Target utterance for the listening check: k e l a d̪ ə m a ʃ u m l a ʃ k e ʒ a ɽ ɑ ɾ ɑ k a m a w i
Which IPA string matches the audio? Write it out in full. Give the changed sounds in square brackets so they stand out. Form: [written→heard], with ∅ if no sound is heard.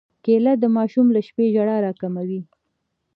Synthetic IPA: k e l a d̪ ə m [a→ɑ] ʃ u m l a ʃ [k→p] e ʒ a ɽ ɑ ɾ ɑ k a m a w i